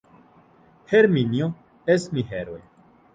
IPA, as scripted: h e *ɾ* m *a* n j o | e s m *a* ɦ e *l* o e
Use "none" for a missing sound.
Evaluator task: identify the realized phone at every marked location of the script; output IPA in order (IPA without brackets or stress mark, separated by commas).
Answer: ɾ, i, i, ɾ